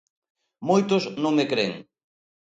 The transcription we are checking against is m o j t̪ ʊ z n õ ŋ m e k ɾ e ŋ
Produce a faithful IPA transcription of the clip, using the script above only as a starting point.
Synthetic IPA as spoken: m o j t̪ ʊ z n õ ŋ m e k ɾ e ŋ

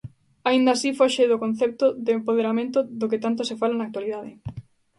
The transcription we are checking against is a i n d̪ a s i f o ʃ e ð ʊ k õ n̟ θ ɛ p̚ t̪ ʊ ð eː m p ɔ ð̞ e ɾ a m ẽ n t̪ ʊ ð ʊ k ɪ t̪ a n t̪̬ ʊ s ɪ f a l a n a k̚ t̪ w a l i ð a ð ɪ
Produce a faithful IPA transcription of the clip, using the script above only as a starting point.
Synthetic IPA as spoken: a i n d̪ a s i f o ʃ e ð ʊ k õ n̟ θ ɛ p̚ t̪ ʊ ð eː m p o ð̞ e ɾ a m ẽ n t̪ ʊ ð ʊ k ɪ t̪ a n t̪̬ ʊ s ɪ f a l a n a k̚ t̪ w a l i ð a ð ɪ

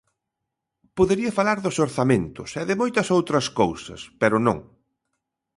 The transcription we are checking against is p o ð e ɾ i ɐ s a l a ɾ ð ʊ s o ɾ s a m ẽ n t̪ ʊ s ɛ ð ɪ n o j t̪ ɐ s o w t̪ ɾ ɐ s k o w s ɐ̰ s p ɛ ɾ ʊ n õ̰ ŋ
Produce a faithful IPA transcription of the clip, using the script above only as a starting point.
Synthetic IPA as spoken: p o ð e ɾ i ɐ f a l a ɾ ð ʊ s o ɾ θ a m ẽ n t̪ ʊ s ɛ ð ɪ m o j t̪ ɐ s o w t̪ ɾ ɐ s k o w s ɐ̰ s p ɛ ɾ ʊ n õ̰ ŋ

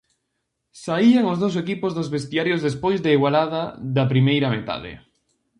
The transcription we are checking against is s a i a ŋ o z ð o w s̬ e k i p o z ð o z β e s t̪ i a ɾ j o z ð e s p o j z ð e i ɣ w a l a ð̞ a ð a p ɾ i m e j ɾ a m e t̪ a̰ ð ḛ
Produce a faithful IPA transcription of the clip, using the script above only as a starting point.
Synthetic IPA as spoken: s a i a ŋ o z ð o w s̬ e k i p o z ð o z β e s t̪ i a ɾ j o z ð e s p o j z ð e i ɣ w a l a ð̞ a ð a p ɾ i m e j ɾ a m e t̪ a̰ ð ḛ

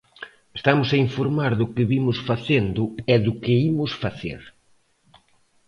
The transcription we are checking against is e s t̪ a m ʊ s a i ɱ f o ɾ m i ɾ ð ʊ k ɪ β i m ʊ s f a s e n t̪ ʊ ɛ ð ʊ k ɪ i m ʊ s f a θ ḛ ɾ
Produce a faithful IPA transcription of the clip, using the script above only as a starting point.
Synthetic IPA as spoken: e s t̪ a m ʊ s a i ɱ f o ɾ m a ɾ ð ʊ k ɪ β i m ʊ s f a θ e n d̪ ʊ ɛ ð ʊ k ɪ i m ʊ s f a θ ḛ ɾ

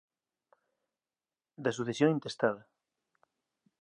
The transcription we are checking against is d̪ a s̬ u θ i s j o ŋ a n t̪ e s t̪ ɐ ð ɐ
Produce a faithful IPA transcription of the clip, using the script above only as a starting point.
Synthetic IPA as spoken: d̪ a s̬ u θ e s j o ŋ i n t̪ e s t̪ a ð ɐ

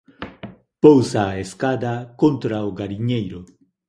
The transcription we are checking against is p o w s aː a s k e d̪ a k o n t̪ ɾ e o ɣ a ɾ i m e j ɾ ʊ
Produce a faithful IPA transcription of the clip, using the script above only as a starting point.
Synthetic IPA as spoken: p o w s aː e s k a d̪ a k o n t̪ ɾ a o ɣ a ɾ i ɲ e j ɾ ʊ

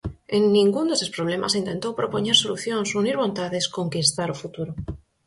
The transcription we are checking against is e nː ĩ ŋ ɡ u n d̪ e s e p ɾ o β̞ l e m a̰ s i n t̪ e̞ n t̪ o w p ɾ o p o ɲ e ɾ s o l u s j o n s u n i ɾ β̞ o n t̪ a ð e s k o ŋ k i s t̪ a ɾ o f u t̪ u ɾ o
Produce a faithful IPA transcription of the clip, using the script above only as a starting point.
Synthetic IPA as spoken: e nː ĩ ŋ ɡ u n d̪ e s e p ɾ o β̞ l e m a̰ s i n t̪ e̞ n t̪ o w p ɾ o p o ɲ e ɾ s o l u θ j o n s u n i ɾ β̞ o n t̪ a ð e s k o ŋ k i s t̪ a ɾ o f u t̪ u ɾ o

